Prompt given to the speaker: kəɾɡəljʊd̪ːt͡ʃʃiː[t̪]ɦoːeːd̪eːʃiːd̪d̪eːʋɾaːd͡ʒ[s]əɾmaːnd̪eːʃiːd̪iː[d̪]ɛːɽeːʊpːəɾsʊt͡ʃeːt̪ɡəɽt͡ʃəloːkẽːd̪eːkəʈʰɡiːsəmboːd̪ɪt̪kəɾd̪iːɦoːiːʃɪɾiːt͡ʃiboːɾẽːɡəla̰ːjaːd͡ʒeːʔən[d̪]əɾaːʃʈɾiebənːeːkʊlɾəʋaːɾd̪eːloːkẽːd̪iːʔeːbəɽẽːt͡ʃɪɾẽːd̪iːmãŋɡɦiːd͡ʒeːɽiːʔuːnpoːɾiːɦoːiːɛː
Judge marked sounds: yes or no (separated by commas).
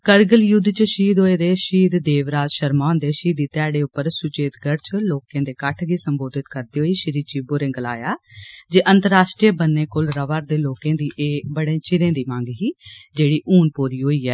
no, no, no, no